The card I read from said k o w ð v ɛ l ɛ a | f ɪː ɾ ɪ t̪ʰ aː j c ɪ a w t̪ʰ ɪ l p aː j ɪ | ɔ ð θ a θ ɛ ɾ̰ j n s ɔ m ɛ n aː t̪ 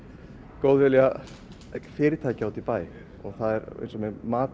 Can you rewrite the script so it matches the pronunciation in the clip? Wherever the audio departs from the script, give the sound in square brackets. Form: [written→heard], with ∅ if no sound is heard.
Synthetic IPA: k o w ð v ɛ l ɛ a | f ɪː ɾ ɪ t̪ʰ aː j c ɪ a w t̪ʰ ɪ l p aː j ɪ | ɔ [ð→ɣ] θ a [θ→ð] ɛ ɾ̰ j n s ɔ m ɛ [n→m] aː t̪